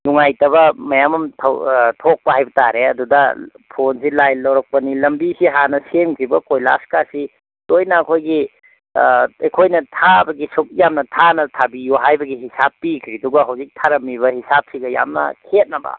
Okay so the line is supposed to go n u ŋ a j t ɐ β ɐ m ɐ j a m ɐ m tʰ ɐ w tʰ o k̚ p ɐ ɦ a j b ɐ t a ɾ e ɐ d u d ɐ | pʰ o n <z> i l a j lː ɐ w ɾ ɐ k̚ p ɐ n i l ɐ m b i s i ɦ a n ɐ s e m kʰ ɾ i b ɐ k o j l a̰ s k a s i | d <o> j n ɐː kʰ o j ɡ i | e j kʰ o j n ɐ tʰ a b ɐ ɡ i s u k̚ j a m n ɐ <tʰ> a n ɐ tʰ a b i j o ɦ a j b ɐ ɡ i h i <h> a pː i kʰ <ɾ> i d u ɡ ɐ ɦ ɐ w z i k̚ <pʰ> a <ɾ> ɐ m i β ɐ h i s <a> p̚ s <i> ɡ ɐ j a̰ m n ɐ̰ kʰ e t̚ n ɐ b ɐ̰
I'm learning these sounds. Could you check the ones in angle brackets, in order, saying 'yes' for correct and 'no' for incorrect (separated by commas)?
no, yes, yes, no, yes, no, yes, yes, yes